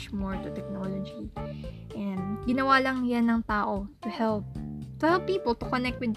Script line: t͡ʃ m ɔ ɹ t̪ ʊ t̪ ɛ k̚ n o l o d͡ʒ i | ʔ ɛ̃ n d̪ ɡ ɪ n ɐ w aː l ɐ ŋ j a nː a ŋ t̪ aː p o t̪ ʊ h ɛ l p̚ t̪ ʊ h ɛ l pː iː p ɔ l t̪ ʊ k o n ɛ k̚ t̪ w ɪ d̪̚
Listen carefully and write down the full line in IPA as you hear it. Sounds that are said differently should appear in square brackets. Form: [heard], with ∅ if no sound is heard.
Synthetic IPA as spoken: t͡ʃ m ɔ ɹ t̪ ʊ t̪ ɛ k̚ n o l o d͡ʒ i | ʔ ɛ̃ n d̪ ɡ ɪ n ɐ w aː l ɐ ŋ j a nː [ɐ] ŋ t̪ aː [ʔ] o t̪ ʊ h ɛ l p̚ t̪ ʊ h ɛ l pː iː p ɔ l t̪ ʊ k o n ɛ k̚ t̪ w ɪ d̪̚